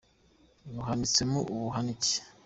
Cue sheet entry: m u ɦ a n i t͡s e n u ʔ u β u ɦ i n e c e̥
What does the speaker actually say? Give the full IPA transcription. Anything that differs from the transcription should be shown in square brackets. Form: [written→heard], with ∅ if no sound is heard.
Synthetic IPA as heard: [m→n] u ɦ a n i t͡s e [n→m] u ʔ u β u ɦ [i→a] n [e→i] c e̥